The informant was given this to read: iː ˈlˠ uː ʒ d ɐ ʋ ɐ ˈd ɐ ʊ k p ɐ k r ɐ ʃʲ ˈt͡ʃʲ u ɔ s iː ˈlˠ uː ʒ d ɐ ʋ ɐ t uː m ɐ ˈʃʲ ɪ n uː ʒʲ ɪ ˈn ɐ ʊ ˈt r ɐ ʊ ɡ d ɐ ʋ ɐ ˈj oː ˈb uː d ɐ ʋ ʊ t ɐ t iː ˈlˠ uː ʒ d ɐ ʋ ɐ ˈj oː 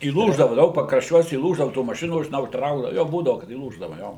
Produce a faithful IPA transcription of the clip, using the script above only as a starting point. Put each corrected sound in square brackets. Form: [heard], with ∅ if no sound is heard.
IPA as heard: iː ˈlˠ uː ʒ d ɐ ʋ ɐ ˈd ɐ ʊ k p ɐ k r ɐ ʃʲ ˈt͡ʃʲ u ɔ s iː ˈlˠ uː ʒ d ɐ ʋ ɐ t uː m ɐ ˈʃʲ ɪ n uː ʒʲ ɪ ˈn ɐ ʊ ˈt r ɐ ʊ ɡ d ɐ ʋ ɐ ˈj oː ˈb uː d ɐ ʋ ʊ [k] ɐ t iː ˈlˠ uː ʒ d ɐ ʋ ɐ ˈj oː